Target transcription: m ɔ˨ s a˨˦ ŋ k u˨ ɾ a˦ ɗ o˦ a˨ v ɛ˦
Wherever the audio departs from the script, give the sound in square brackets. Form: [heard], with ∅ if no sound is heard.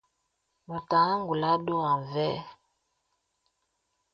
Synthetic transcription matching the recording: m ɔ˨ [t] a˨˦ ŋ [ɡ] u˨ [l] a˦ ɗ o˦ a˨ v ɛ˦